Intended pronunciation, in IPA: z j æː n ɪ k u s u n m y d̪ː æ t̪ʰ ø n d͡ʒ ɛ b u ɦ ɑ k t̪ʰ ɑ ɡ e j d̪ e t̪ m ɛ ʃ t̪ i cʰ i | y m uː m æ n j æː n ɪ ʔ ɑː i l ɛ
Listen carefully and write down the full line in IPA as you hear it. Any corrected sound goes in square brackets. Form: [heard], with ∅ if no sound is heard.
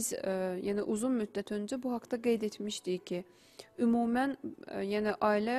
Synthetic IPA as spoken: z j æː n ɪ [ʔ] u [z] u n m y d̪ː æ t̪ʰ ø n d͡ʒ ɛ b u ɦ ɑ k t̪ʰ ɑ ɡ e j d̪ e t̪ m [i] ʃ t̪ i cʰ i | y m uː m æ n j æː n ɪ ʔ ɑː i l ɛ